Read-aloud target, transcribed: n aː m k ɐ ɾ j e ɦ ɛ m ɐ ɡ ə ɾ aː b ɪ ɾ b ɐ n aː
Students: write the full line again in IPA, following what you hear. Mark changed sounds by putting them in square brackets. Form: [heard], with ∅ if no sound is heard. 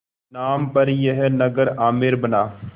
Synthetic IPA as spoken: n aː m [p] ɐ ɾ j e ɦ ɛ [n] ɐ ɡ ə ɾ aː [m] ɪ ɾ b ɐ n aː